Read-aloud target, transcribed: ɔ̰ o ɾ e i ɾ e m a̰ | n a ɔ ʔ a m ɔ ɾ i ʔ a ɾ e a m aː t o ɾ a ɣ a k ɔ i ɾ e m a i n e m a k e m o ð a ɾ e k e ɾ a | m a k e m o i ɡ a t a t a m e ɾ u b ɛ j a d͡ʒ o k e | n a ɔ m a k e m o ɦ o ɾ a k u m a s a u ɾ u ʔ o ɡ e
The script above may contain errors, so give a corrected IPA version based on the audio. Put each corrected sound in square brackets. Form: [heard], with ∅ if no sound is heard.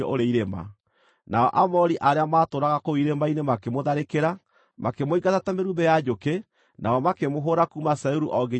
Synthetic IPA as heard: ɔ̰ o ɾ e i ɾ e m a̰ | n a ɔ ʔ a m ɔ ɾ i ʔ a ɾ e a m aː t o ɾ a ɣ a k [o] i ɾ e m a i n e m a k e m o ð a ɾ e k e ɾ a | m a k e m o i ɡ a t a t a m e ɾ u b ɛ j a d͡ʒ o k e | n a ɔ m a k e m o ɦ o ɾ a k u m a s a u ɾ u ʔ [ɔ] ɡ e

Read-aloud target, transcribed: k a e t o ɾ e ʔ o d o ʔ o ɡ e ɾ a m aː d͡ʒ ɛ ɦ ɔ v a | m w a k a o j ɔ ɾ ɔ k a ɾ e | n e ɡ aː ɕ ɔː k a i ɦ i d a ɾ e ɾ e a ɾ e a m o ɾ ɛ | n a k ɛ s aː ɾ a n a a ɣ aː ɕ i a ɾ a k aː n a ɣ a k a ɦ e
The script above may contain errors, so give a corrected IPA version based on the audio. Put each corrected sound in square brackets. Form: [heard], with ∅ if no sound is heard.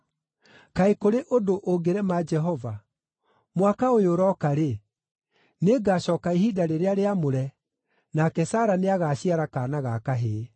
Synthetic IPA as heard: k a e [k] o ɾ e ʔ o d o ʔ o ɡ e ɾ [ɛ] m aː d͡ʒ ɛ ɦ ɔ v a | m w a k a o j [o] ɾ ɔ k a ɾ e | n e ɡ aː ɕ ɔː k a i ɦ i d a ɾ e ɾ e a ɾ e a m o ɾ ɛ | n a k ɛ s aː ɾ a n [e] a ɣ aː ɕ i a ɾ a k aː n a ɣ a k a ɦ e

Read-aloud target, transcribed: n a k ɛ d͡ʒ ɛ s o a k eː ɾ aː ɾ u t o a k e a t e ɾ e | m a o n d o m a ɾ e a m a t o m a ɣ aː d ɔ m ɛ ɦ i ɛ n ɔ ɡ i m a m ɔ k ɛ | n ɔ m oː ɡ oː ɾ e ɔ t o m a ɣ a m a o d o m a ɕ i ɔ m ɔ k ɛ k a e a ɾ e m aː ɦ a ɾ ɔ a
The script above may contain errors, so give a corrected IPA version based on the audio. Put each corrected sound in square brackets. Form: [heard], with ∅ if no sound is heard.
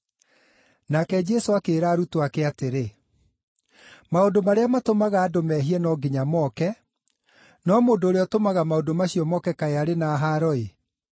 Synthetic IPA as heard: n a k ɛ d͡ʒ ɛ s o a k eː ɾ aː ɾ u t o a k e a t e ɾ e | m a o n d o m a ɾ e a m a t o m a ɣ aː d [o] m ɛ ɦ i ɛ n ɔ ɡ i [ɲ] a m ɔ k ɛ | n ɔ m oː [d] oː ɾ e ɔ t o m a ɣ a m a o d o m a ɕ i ɔ m ɔ k ɛ k a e a ɾ e [n] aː ɦ a ɾ ɔ [e]

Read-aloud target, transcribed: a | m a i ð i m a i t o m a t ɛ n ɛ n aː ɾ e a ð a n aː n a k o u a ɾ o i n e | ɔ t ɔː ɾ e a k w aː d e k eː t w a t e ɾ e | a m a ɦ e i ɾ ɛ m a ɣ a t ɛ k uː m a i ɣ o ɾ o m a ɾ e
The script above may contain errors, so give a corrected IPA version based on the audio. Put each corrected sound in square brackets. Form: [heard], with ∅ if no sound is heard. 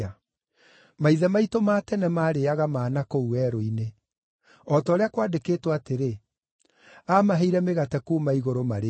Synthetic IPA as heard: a | m a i ð [ɛ] m a i t o m a t ɛ n ɛ [m] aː ɾ e a [ɣ] a [m] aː n a k o u [ɛ] ɾ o i n e | ɔ t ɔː ɾ e a k w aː d e k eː t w a t e ɾ e | a m a ɦ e i ɾ ɛ m [e] ɣ a t ɛ k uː m a i ɣ o ɾ o m a ɾ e

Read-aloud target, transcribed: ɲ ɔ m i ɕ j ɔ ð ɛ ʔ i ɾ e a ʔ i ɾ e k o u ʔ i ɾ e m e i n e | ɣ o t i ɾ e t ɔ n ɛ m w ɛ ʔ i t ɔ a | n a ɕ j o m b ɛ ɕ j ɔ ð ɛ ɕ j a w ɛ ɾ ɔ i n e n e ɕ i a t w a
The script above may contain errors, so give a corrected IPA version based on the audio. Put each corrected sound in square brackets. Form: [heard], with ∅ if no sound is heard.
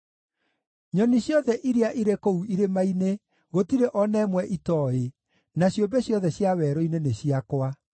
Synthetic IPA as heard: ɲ ɔ [n] i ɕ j ɔ ð ɛ ʔ i ɾ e a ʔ i ɾ e k o u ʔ i ɾ e m [a] i n e | ɣ o t i ɾ e [ʔ] ɔ n ɛ m w ɛ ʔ i t ɔ [e] | n a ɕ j o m b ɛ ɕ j ɔ ð ɛ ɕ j a w ɛ ɾ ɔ i n e n e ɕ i a [k] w a

